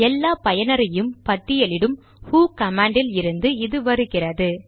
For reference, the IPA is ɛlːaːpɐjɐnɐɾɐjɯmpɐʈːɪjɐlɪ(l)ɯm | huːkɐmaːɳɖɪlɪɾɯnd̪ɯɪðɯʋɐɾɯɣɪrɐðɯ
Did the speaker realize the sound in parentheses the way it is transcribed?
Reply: no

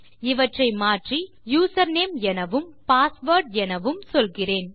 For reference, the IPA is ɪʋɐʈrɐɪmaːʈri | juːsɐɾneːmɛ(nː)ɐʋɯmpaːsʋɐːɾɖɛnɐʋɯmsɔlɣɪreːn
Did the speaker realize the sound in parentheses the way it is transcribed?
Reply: no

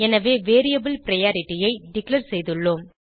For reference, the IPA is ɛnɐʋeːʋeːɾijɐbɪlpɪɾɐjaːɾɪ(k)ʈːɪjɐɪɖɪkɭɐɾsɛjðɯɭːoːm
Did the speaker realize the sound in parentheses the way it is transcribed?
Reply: no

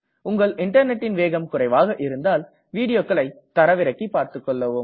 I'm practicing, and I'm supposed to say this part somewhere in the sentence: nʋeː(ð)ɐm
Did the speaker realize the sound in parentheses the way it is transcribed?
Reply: no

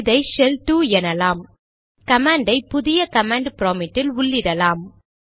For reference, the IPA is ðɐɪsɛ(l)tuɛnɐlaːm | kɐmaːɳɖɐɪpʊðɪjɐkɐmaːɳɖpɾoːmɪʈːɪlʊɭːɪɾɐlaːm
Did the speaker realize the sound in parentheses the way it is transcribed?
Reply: yes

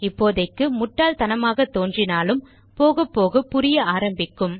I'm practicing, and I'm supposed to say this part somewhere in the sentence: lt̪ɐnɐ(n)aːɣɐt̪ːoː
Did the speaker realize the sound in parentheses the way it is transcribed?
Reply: no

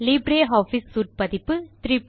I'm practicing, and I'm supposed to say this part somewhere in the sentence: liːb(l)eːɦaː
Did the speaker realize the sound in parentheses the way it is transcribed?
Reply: no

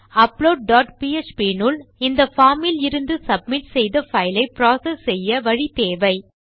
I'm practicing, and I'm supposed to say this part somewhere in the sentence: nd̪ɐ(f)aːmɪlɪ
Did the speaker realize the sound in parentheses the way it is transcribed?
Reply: yes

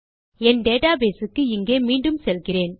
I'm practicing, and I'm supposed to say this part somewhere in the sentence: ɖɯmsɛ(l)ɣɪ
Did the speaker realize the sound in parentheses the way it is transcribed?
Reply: yes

